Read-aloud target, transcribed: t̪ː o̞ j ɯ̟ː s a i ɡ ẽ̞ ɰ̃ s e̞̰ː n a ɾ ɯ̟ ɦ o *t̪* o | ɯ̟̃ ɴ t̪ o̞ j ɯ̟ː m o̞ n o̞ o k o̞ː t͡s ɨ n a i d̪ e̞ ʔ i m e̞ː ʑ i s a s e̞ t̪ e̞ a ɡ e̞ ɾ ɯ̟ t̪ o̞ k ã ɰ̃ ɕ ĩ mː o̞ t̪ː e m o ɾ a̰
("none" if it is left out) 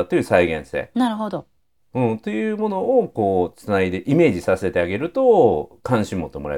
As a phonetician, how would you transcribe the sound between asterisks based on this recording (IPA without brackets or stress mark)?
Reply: d̪